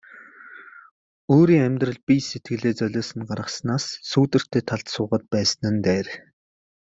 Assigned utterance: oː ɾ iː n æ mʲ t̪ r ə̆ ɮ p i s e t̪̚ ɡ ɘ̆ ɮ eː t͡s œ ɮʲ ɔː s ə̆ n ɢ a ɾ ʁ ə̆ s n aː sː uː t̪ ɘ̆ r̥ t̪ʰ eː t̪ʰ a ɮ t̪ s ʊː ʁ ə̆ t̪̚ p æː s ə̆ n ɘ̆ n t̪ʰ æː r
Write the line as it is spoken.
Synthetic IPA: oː ɾ iː ŋ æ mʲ t̪ r ə̆ ɮ p i s e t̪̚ ɡ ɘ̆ ɮ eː t͡s œ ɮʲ ɔː s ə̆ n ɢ a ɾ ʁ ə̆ s n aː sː uː t̪ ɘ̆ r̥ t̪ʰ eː t̪ʰ a ɮ t̪ s ʊː ʁ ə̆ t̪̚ p æː s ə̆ n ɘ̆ n t̪ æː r